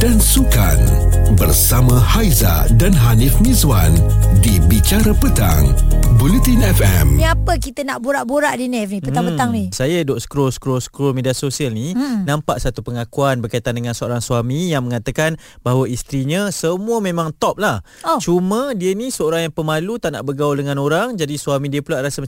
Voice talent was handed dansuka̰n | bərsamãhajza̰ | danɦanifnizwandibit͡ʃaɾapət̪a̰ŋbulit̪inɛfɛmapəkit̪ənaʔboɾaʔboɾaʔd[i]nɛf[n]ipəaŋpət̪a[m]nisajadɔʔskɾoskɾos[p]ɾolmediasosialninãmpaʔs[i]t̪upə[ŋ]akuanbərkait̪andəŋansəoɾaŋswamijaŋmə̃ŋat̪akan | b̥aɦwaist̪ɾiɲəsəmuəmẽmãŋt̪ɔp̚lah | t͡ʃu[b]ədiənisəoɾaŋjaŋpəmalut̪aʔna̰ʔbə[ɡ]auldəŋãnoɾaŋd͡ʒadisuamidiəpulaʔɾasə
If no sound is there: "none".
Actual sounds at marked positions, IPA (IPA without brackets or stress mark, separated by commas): i, n, ŋ, k, a, ŋ, m, ɡ